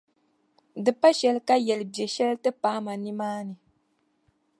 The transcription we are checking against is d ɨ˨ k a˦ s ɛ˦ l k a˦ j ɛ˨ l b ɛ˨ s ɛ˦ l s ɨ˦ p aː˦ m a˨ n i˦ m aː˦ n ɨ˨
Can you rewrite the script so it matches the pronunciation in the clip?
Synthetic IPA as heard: d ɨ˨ p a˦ ʃ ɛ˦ l k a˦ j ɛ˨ l b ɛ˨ ʃ ɛ˦ l t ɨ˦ p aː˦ m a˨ n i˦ m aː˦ n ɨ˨